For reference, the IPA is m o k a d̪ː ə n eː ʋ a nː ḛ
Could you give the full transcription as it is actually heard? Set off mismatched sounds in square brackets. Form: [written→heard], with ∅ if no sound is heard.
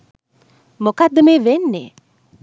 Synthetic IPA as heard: m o k a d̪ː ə [n→m] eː ʋ [a→e] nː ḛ